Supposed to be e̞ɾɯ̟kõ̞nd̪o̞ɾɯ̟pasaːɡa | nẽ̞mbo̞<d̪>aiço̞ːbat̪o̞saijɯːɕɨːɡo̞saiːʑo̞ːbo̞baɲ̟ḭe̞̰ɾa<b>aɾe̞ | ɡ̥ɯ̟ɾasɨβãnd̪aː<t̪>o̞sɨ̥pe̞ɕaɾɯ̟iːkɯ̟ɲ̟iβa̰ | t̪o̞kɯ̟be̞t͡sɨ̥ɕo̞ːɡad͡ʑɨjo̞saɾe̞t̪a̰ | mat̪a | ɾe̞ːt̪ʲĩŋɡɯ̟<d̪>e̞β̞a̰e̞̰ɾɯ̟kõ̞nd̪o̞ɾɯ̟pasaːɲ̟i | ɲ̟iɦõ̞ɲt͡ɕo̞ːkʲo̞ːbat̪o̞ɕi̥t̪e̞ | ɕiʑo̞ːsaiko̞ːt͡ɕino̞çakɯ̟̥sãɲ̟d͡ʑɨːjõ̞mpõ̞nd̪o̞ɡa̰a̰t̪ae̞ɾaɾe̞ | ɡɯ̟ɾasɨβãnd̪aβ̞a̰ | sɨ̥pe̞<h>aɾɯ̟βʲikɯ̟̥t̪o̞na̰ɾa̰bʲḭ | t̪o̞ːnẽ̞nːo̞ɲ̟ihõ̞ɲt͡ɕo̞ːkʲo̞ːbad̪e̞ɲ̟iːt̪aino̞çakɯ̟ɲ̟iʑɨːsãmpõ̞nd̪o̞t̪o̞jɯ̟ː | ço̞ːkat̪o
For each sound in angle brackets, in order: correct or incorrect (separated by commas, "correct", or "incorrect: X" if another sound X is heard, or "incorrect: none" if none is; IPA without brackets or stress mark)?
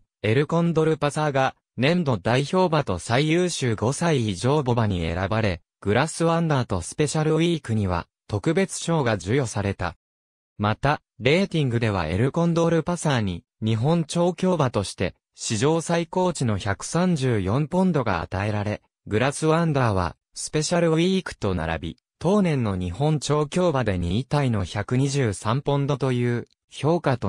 correct, correct, correct, correct, incorrect: ɕ